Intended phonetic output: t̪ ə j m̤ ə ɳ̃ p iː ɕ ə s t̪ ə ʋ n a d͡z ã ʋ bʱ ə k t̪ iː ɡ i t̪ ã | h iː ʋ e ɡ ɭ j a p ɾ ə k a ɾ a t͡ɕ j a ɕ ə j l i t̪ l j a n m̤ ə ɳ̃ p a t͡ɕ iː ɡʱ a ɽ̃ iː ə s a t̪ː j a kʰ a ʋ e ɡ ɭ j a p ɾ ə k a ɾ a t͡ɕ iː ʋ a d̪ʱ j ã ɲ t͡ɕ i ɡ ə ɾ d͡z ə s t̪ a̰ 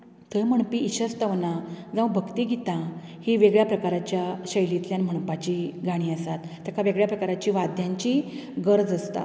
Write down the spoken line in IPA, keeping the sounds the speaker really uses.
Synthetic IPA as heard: t̪ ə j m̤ ə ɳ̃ p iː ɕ ə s t̪ ə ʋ n a d͡z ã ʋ bʱ ə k t̪ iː ɡ i t̪ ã | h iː ʋ e ɡ ɭ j a p ɾ ə k a ɾ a t͡ɕ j a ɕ ə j l i t̪ l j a n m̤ ə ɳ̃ p a t͡ɕ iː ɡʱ a ɽ̃ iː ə s a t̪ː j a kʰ a ʋ e ɡ ɭ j a p ɾ ə k a ɾ a t͡ɕ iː ʋ a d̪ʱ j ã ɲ t͡ɕ i ɡ ə ɾ d͡z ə s t̪ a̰